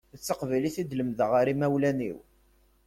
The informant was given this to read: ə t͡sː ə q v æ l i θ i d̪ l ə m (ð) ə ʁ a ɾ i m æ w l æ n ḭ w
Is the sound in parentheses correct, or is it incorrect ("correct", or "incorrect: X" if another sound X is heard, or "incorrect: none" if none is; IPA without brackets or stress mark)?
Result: correct